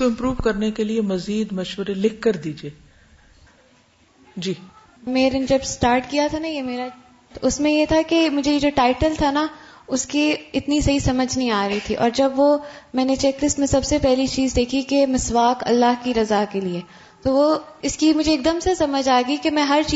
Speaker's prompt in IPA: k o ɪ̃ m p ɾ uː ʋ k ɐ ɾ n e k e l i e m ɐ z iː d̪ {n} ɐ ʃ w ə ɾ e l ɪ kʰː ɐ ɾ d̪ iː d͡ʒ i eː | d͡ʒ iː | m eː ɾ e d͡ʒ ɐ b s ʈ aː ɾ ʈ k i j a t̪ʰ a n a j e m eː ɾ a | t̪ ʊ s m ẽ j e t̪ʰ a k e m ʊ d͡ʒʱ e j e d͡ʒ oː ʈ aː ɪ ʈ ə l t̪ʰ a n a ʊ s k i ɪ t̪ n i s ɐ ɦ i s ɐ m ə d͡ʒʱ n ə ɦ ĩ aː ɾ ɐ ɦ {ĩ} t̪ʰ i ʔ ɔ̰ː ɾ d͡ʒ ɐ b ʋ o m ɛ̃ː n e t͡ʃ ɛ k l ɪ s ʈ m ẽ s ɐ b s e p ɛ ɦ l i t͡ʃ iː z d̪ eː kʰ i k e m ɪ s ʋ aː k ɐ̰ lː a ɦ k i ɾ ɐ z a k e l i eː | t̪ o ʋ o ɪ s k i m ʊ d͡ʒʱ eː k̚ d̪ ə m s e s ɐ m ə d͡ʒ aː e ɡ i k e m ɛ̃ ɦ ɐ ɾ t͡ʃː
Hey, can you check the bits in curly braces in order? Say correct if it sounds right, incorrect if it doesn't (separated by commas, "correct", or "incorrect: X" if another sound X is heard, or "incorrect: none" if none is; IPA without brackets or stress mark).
incorrect: m, incorrect: i